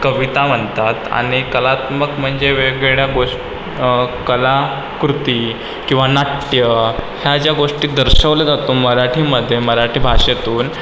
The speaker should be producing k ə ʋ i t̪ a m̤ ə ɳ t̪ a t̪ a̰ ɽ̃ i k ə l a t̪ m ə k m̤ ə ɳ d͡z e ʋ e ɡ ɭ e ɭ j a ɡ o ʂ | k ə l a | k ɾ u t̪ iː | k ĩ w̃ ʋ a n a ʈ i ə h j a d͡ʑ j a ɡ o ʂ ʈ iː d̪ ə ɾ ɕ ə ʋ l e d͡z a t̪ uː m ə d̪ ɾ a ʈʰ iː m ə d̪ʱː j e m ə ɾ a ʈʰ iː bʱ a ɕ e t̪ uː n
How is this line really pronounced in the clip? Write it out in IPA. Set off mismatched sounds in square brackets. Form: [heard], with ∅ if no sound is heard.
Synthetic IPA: k ə ʋ i t̪ a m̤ ə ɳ t̪ a t̪ a̰ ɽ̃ i k ə l a t̪ m ə k m̤ ə ɳ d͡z e ʋ e ɡ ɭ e ɭ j a ɡ o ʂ | k ə l a | k ɾ u t̪ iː | k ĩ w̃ ʋ a n a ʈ [j] ə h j a d͡ʑ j a ɡ o ʂ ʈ iː d̪ ə ɾ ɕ ə ʋ l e d͡z a t̪ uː m ə [∅] ɾ a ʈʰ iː m ə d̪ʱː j e m ə ɾ a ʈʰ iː bʱ a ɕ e t̪ uː n